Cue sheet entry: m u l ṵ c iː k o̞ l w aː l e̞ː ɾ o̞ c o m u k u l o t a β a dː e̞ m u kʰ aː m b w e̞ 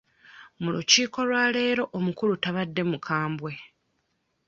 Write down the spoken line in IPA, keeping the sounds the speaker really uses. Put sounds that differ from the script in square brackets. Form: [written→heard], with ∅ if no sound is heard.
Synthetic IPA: m u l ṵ c iː k o̞ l w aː l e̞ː ɾ o̞ [c→ʔ] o m u k u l [o→u] t a β a dː e̞ m u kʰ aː m b w e̞